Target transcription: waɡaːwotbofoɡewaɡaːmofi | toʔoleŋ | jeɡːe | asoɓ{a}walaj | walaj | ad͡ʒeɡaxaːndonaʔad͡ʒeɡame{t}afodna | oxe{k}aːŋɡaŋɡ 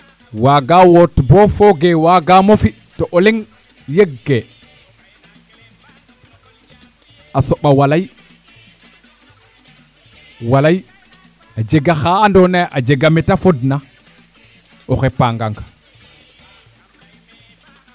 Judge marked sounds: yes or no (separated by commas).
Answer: yes, yes, no